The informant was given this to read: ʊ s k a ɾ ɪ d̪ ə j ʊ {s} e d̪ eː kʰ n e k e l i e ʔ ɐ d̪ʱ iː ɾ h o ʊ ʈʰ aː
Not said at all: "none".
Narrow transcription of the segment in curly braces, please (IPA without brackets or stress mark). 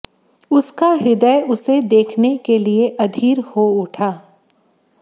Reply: s